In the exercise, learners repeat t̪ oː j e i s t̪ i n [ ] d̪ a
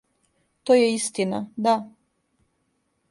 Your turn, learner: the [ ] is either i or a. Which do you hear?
a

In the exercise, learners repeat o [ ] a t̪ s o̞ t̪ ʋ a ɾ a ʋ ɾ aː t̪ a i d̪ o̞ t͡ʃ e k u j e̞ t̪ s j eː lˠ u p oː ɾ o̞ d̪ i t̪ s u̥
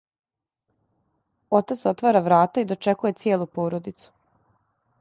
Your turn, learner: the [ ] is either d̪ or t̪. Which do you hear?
t̪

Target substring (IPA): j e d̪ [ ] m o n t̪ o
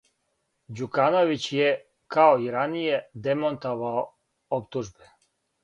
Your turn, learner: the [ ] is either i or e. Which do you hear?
e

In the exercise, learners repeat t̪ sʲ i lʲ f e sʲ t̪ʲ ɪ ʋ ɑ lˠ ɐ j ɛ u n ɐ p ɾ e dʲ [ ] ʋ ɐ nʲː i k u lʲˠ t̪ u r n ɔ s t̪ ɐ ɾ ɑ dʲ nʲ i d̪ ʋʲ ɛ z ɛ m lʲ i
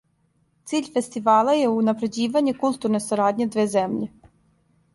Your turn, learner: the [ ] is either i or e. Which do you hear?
i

